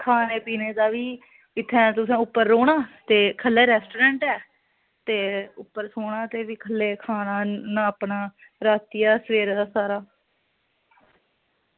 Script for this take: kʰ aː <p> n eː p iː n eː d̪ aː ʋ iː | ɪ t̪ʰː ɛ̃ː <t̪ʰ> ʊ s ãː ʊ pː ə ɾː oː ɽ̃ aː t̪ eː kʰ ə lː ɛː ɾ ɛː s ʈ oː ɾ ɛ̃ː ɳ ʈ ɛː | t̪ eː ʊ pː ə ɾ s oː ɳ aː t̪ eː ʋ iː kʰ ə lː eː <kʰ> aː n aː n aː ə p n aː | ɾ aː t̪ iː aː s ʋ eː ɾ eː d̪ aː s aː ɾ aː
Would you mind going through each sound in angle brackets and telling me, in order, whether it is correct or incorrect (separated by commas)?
incorrect, incorrect, correct